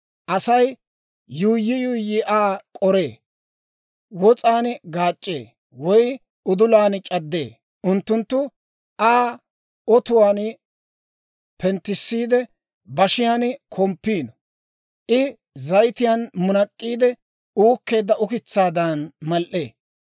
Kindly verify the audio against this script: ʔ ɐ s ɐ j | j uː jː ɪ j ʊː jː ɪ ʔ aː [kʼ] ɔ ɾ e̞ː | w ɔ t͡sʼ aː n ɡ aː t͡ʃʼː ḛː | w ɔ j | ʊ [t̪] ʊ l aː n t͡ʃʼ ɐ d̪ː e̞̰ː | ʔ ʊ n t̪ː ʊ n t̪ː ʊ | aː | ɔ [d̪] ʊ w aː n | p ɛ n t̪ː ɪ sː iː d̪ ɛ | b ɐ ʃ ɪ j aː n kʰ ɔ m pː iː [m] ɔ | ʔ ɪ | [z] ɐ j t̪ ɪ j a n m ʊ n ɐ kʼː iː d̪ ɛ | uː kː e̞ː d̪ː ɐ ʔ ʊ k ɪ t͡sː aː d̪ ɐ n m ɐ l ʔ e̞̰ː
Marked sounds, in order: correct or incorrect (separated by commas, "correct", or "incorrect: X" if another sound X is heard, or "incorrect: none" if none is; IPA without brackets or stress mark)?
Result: correct, incorrect: d̪, incorrect: t̪, incorrect: n, correct